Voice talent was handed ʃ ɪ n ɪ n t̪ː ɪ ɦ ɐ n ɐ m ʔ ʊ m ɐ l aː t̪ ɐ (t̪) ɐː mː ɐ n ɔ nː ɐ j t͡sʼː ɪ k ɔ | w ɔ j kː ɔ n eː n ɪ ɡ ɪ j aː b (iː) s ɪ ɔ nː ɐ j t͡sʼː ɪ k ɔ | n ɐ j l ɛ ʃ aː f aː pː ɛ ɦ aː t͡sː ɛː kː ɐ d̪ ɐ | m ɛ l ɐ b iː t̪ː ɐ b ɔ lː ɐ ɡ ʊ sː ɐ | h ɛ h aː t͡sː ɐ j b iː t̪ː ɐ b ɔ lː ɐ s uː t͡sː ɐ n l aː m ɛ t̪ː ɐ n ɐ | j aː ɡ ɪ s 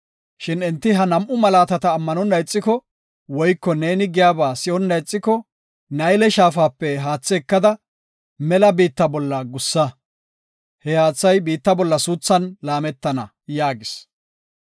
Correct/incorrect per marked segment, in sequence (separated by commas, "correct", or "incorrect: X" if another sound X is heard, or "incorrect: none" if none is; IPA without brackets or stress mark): correct, incorrect: aː